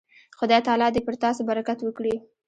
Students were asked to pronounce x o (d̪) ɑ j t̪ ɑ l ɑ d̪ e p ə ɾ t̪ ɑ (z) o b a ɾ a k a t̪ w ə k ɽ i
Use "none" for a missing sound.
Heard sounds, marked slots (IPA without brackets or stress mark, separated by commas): d̪, s